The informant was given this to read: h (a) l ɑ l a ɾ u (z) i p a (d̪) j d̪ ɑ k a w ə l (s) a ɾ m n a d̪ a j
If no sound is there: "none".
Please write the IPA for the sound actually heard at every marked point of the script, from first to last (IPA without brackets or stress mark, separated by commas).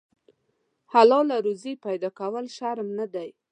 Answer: a, z, none, ʃ